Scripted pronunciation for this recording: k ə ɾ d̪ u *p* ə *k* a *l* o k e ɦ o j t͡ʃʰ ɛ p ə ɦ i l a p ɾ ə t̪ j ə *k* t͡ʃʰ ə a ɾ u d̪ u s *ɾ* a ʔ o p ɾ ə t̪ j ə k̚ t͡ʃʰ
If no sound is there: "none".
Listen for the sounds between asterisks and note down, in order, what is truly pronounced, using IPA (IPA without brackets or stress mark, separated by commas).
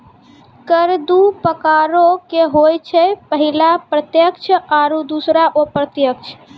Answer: p, k, ɾ, k, ɾ